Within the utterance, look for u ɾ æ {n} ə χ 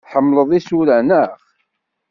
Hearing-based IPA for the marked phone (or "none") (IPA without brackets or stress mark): n